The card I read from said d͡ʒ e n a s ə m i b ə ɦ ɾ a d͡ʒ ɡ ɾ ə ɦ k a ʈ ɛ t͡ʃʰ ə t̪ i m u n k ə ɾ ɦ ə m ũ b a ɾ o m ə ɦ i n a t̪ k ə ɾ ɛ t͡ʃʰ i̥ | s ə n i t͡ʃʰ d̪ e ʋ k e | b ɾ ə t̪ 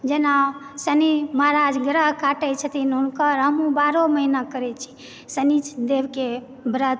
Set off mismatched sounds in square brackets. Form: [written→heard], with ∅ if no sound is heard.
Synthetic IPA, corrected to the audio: d͡ʒ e n a s ə [m→n] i [b→m] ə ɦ ɾ a d͡ʒ ɡ ɾ ə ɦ k a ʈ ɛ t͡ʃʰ ə t̪ i [m→n] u n k ə ɾ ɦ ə m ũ b a ɾ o m ə ɦ i n a [t̪→∅] k ə ɾ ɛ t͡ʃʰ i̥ | s ə n i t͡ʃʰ d̪ e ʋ k e | b ɾ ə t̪